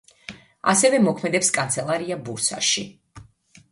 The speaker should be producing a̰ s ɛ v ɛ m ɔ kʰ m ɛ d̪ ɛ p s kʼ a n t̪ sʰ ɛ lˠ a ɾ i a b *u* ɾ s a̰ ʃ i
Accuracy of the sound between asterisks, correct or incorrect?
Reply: correct